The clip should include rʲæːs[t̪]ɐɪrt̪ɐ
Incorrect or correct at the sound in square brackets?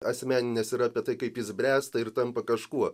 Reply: correct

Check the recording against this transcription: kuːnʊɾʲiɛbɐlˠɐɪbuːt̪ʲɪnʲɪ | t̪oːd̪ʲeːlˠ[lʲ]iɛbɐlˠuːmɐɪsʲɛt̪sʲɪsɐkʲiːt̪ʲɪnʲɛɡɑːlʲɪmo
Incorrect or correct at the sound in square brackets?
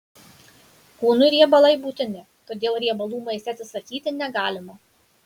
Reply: incorrect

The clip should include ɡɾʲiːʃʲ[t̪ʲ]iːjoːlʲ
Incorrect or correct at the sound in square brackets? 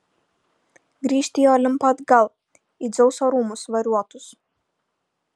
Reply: correct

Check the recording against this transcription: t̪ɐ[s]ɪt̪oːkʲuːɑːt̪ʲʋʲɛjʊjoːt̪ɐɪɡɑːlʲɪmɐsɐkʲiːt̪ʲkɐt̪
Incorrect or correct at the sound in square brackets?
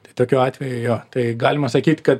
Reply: incorrect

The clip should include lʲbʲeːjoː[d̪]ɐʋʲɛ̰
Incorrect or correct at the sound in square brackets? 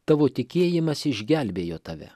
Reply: incorrect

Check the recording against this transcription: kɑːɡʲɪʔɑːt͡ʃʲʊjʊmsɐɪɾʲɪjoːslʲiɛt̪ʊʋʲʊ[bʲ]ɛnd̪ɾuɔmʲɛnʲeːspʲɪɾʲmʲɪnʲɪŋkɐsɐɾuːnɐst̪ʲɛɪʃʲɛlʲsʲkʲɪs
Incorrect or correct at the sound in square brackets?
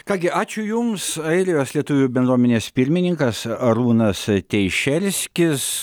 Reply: correct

